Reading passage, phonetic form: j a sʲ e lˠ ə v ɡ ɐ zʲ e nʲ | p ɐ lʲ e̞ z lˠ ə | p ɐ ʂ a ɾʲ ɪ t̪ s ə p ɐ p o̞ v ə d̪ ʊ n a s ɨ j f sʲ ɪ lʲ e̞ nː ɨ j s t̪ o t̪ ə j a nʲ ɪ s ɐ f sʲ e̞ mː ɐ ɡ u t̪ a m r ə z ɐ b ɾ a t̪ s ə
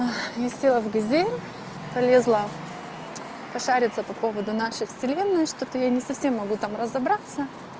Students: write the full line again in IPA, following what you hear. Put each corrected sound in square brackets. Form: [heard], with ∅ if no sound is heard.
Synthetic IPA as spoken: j a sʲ e lˠ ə v ɡ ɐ zʲ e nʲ | p ɐ lʲ e̞ z lˠ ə | p ɐ ʂ a ɾʲ ɪ t̪ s ə p ɐ p o̞ v ə d̪ ʊ n a [ʂ] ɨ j f sʲ ɪ lʲ e̞ nː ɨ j [ʂ] t̪ o t̪ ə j a nʲ ɪ s ɐ f sʲ e̞ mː ɐ ɡ u t̪ a m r ə z ɐ b ɾ a t̪ s ə

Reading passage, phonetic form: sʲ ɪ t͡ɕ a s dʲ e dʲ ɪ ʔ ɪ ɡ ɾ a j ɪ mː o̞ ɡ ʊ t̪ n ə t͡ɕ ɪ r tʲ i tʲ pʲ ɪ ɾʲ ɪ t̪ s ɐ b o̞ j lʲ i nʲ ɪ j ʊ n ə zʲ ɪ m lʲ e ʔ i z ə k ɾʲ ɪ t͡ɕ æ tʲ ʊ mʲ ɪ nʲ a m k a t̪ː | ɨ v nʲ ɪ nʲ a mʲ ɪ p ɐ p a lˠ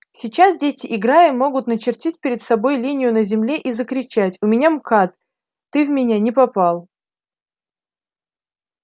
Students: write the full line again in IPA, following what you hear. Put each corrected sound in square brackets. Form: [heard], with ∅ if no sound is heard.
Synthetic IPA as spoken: sʲ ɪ t͡ɕ a s dʲ e [tʲ] ɪ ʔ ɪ ɡ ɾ a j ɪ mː o̞ ɡ ʊ t̪ n ə t͡ɕ ɪ r tʲ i tʲ pʲ ɪ ɾʲ ɪ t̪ s ɐ b o̞ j lʲ i nʲ ɪ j ʊ n ə zʲ ɪ m lʲ e ʔ i z ə k ɾʲ ɪ t͡ɕ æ tʲ ʊ mʲ ɪ nʲ a m k a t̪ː | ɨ v [mʲ] ɪ nʲ a [nʲ] ɪ p ɐ p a lˠ

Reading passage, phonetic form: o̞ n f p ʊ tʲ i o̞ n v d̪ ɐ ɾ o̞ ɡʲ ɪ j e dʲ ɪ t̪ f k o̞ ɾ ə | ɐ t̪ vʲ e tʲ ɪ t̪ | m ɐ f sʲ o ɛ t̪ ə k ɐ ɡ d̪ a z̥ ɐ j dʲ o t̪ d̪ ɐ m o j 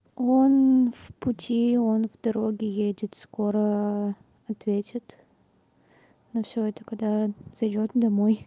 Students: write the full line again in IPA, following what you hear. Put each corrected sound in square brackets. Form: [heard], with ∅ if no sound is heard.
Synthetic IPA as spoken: o̞ n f p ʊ tʲ i o̞ n v d̪ ɐ ɾ o̞ ɡʲ ɪ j e dʲ ɪ t̪ [s] k o̞ ɾ ə | ɐ t̪ vʲ e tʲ ɪ t̪ | [n] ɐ f sʲ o ɛ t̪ ə k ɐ ɡ d̪ a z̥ ɐ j dʲ o t̪ d̪ ɐ m o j

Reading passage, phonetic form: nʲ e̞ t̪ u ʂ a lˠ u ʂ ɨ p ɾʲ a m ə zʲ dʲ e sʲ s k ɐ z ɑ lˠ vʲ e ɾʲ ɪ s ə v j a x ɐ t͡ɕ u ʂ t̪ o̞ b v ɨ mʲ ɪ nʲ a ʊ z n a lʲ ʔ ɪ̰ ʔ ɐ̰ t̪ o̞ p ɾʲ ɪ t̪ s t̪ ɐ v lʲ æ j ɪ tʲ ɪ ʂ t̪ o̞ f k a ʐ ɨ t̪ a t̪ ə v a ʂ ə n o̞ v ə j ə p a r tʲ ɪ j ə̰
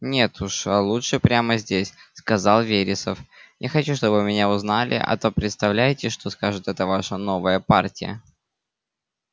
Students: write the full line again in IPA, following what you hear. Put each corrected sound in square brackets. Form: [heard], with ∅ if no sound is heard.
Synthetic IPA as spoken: nʲ e̞ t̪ u ʂ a lˠ u ʂ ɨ p ɾʲ a m ə zʲ dʲ e sʲ s k ɐ z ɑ lˠ vʲ e ɾʲ ɪ s ə [f] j a x ɐ t͡ɕ u ʂ t̪ o̞ b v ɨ mʲ ɪ nʲ a ʊ z n a lʲ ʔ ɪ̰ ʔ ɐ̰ t̪ o̞ p ɾʲ ɪ t̪ s t̪ ɐ v lʲ æ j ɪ tʲ ɪ ʂ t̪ o̞ [s] k a ʐ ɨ t̪ [ɛ] t̪ ə v a ʂ ə n o̞ v ə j ə p a r tʲ ɪ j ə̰

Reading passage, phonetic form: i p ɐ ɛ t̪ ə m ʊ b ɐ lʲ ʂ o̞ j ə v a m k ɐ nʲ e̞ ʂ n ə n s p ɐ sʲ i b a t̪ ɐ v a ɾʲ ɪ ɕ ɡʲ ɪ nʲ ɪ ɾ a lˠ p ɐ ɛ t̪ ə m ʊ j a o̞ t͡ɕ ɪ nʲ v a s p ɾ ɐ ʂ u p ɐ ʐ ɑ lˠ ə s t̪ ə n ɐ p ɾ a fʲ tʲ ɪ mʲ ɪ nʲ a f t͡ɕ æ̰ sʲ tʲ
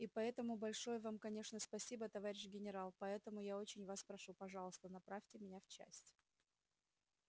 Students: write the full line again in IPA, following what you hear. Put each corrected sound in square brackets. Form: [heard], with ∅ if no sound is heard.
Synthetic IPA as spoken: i p ɐ ɛ t̪ ə m ʊ b ɐ lʲ ʂ o̞ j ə v a m k ɐ nʲ e̞ ʂ n ə [∅] s p ɐ sʲ i b [ə] t̪ ɐ v a ɾʲ ɪ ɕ ɡʲ ɪ nʲ ɪ ɾ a lˠ p ɐ ɛ t̪ ə m ʊ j a o̞ t͡ɕ ɪ nʲ v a s p ɾ ɐ ʂ u p ɐ ʐ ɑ lˠ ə s t̪ ə n ɐ p ɾ a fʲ tʲ ɪ mʲ ɪ nʲ a f t͡ɕ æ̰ sʲ tʲ

